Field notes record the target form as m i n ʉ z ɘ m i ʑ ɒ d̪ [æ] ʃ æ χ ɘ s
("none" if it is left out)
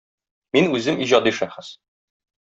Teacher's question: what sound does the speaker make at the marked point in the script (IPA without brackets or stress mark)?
i